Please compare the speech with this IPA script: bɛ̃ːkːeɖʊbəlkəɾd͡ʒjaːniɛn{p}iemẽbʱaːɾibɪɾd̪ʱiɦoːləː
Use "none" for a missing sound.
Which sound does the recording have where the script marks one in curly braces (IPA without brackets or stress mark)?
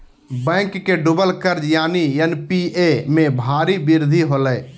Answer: p